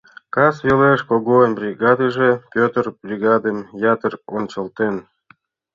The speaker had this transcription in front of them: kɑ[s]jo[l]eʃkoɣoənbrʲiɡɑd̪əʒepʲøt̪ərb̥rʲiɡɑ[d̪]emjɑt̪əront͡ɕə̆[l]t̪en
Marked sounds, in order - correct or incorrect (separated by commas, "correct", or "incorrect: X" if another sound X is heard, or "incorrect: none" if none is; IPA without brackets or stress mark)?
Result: correct, correct, correct, correct